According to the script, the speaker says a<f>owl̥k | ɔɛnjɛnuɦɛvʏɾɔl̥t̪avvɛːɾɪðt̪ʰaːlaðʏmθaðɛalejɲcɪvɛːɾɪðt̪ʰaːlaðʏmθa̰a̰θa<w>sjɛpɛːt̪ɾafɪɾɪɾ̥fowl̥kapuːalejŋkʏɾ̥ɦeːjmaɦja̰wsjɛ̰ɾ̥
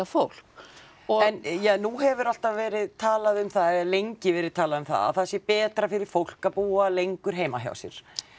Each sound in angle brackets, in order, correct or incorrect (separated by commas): correct, incorrect